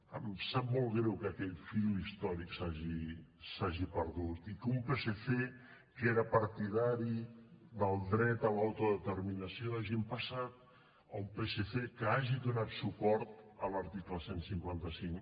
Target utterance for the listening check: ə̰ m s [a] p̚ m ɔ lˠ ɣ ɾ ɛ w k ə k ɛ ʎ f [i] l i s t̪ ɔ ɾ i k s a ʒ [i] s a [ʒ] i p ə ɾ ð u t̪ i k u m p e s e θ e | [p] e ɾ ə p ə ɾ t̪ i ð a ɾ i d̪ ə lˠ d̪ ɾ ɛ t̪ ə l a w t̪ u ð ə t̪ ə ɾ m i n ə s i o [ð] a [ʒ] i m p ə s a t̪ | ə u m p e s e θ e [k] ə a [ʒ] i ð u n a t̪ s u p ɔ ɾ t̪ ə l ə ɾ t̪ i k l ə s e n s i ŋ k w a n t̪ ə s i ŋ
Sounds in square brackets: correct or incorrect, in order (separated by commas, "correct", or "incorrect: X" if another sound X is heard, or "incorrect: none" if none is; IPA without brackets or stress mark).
correct, correct, correct, correct, incorrect: k, correct, correct, correct, correct